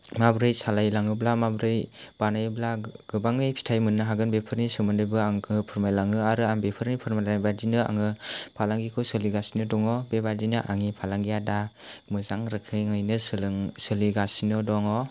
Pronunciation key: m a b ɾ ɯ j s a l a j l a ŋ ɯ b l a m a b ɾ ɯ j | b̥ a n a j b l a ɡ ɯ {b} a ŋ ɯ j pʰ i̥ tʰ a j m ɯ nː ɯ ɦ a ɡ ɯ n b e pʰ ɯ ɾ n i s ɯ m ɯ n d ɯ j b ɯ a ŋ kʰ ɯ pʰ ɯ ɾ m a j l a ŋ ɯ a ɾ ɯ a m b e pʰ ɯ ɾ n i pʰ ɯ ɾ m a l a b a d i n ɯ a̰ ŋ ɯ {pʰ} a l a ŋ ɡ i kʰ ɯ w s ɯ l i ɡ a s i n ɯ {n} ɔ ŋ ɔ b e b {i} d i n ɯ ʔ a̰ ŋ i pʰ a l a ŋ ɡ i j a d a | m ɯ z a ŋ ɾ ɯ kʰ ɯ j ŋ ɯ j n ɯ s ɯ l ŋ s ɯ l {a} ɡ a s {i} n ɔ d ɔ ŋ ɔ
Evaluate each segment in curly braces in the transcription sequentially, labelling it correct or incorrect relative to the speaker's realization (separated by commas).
correct, correct, incorrect, incorrect, incorrect, correct